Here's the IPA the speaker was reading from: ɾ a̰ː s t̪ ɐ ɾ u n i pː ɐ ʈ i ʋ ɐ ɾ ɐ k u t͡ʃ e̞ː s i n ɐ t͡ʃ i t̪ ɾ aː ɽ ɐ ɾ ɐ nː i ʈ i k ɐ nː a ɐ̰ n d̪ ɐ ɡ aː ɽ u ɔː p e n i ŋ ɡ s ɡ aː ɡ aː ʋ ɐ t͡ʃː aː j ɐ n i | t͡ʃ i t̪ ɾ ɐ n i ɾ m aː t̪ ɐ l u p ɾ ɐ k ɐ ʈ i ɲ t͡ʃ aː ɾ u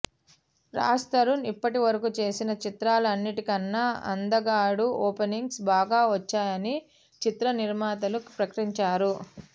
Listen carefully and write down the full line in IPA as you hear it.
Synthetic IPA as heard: ɾ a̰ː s t̪ ɐ ɾ u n i pː ɐ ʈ i ʋ ɐ ɾ ɐ k u t͡ʃ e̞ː s i n ɐ t͡ʃ i t̪ ɾ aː l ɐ ɐ nː i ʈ i k ɐ nː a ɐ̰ n d̪ ɐ ɡ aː ɽ u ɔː p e n i ŋ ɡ s b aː ɡ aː ʋ ɐ t͡ʃː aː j ɐ n i | t͡ʃ i t̪ ɾ ɐ n i ɾ m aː t̪ ɐ l u p ɾ ɐ k ɐ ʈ i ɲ t͡ʃ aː ɾ u